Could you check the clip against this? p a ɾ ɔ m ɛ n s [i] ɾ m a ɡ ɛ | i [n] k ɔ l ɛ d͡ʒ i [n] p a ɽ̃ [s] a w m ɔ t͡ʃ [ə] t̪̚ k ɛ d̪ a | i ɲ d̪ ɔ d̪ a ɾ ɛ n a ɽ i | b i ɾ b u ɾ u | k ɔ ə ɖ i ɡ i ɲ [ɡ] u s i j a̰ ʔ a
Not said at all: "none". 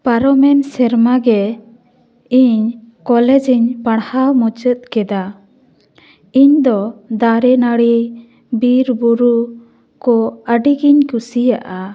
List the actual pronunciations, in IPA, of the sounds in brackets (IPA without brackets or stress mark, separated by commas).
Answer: ɛ, ɲ, ɲ, h, ə, k